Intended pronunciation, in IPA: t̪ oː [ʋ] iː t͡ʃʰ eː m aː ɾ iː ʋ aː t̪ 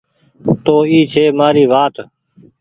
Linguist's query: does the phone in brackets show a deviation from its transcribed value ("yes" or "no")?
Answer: yes